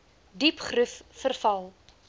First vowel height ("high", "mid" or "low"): high